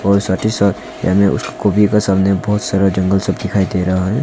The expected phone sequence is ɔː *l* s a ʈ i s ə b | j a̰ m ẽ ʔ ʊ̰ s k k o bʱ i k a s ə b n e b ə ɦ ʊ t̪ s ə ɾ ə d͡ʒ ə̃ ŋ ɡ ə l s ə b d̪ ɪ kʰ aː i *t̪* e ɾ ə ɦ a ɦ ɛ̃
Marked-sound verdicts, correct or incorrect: incorrect, incorrect

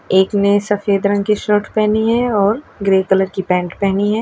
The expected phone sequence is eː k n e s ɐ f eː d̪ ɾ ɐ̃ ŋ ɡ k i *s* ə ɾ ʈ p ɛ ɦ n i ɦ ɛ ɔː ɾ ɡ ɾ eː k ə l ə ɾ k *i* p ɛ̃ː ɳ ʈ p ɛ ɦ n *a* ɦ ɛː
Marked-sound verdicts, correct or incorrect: incorrect, correct, incorrect

